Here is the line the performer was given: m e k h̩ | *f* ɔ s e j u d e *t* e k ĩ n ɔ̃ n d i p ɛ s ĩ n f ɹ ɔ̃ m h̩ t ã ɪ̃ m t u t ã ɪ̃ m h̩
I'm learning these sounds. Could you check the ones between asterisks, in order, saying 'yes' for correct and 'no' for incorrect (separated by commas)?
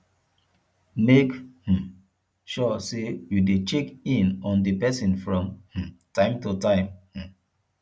no, no